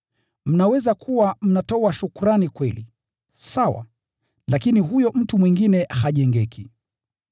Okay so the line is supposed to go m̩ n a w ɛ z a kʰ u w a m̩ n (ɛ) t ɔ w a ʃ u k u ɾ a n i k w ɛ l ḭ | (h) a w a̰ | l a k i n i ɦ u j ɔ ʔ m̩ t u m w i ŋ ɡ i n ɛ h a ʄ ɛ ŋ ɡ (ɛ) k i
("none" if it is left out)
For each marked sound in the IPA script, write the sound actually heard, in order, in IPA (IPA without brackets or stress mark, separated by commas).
a, s, ɛ